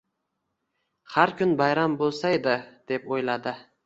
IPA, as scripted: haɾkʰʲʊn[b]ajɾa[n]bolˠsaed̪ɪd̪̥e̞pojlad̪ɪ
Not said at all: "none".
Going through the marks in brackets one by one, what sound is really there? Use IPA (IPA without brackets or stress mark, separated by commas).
b, m